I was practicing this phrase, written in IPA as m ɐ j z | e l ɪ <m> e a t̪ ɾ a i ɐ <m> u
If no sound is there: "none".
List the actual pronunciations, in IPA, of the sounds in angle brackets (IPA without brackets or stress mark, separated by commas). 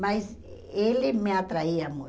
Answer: m, m